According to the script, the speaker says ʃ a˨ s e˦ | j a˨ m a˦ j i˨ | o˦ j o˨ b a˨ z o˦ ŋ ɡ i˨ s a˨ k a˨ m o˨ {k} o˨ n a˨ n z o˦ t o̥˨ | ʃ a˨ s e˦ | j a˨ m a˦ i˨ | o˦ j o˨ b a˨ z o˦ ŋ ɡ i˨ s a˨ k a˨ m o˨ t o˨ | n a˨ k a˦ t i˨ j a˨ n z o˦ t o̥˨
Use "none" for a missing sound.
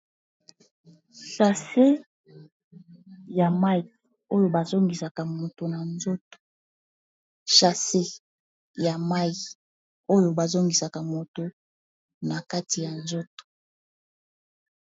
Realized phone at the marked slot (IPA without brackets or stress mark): t